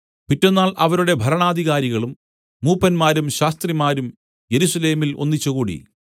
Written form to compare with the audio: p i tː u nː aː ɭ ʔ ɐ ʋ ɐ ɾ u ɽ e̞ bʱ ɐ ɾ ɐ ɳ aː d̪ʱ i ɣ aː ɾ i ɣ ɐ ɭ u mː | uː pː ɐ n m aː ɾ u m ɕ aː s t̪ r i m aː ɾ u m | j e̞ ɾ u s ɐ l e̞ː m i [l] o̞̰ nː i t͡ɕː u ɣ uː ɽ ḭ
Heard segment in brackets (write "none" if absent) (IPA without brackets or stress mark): l